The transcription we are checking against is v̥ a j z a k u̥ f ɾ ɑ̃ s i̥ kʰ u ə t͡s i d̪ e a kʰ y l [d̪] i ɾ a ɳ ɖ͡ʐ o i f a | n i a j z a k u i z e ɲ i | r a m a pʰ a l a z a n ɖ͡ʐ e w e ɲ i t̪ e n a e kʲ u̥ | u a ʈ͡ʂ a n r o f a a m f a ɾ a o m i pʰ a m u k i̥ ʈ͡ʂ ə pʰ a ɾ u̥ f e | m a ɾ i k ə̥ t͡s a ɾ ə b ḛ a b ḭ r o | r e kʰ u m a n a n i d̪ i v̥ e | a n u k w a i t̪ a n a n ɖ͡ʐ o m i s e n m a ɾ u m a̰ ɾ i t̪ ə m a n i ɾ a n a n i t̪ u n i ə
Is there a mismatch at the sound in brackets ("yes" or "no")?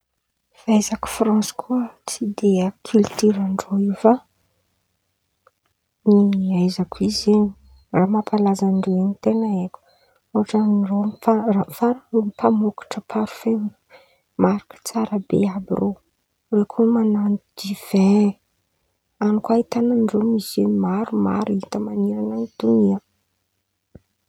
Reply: yes